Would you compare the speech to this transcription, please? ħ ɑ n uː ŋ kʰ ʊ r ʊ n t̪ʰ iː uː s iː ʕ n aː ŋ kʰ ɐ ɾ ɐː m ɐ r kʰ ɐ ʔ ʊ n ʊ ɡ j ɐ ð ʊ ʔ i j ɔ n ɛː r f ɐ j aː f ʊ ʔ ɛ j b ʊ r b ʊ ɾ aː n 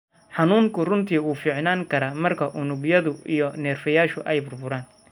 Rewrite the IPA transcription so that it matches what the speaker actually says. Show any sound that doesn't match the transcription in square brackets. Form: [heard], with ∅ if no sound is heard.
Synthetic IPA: ħ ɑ n uː ŋ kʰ ʊ r ʊ n t̪ʰ iː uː [f] iː ʕ n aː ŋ kʰ ɐ ɾ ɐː m ɐ r kʰ ɐ ʔ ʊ n ʊ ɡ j ɐ ð ʊ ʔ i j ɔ n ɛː r f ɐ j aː [ʃ] ʊ ʔ ɛ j b ʊ r b ʊ ɾ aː n

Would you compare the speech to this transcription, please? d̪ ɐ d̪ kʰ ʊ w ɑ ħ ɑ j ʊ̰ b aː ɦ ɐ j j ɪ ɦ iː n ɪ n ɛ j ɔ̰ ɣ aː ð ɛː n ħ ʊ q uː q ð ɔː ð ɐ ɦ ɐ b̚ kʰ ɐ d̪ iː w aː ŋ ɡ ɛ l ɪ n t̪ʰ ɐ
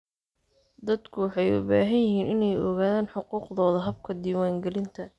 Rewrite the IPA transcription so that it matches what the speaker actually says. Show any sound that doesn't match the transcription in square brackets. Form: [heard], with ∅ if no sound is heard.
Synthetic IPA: d̪ ɐ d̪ kʰ ʊ w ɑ ħ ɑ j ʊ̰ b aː ɦ ɐ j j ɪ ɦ iː n ɪ n ɛ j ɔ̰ ɣ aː ð [aː] n ħ ʊ q uː q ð ɔː ð ɐ ɦ ɐ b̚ kʰ ɐ d̪ iː w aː ŋ ɡ ɛ l ɪ n t̪ʰ ɐ

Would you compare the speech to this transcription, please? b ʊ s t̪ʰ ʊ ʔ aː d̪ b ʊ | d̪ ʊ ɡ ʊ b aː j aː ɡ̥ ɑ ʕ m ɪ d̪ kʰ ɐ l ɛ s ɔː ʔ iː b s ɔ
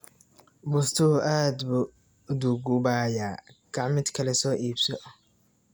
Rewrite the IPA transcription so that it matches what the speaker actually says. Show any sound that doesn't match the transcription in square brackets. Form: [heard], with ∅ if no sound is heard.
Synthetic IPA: b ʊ s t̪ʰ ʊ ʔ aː d̪ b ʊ | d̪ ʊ ɡ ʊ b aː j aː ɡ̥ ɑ ʕ m ɪ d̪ kʰ ɐ l ɛ s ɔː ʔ iː b s ɔ

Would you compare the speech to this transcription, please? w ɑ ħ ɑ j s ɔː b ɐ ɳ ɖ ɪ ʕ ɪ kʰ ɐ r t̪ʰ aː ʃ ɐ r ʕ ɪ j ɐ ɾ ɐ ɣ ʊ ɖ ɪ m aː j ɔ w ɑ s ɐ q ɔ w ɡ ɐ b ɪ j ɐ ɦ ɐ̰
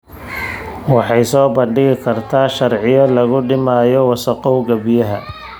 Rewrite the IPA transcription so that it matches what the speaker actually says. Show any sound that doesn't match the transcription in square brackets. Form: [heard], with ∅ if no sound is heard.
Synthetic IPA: w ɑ ħ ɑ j s ɔː b ɐ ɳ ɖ ɪ [ɣ] ɪ kʰ ɐ r t̪ʰ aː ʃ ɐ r ʕ ɪ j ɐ [l] ɐ ɣ ʊ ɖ ɪ m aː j ɔ w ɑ s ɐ q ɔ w ɡ ɐ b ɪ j ɐ ɦ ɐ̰

